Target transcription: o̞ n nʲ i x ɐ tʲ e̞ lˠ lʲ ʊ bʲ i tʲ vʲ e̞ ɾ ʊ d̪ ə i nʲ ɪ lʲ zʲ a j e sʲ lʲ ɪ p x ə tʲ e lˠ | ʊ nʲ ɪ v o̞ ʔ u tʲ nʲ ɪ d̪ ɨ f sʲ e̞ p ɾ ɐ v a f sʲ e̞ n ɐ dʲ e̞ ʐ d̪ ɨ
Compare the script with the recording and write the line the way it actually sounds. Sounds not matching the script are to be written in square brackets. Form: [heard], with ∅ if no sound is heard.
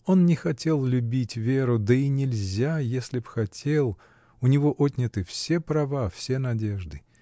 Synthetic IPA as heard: o̞ n nʲ [ɪ] x ɐ tʲ e̞ lˠ lʲ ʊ bʲ i tʲ vʲ e̞ ɾ ʊ d̪ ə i nʲ ɪ lʲ zʲ a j e sʲ lʲ ɪ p x [ɐ] tʲ e lˠ | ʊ nʲ ɪ v o̞ ʔ [o] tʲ nʲ ɪ [t̪] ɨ f sʲ e̞ p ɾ ɐ v a f sʲ e̞ n ɐ dʲ e̞ ʐ d̪ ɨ